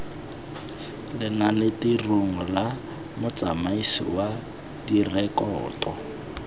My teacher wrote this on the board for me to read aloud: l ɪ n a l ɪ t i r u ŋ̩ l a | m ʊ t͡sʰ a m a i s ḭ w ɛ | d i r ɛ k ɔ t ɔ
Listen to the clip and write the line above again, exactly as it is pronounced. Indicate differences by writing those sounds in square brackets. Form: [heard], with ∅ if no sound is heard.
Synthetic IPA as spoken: l ɪ n a l ɪ t i r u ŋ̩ l a | m ʊ [t͡s] a m a i s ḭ w [a] | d i r ɛ k [ɔː] t ɔ